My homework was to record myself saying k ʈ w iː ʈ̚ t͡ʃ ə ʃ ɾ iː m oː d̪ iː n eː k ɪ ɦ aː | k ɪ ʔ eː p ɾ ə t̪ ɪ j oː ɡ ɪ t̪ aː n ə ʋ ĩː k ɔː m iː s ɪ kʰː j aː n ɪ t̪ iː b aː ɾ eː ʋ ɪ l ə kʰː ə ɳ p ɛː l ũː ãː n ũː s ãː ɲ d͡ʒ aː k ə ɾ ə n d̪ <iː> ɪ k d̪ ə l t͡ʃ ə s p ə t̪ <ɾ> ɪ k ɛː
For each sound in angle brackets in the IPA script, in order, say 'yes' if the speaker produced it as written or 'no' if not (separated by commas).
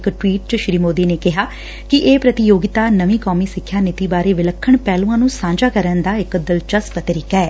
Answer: no, yes